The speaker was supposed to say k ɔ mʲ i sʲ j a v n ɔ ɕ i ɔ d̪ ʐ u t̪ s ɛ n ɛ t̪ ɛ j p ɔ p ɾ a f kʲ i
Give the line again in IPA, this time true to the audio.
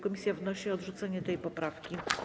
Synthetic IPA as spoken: k ɔ mʲ i sʲ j a v n ɔ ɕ i ɔ d̪ ʐ u t̪ s ɛ ɲ ɛ t̪ ɛ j p ɔ p ɾ a f kʲ i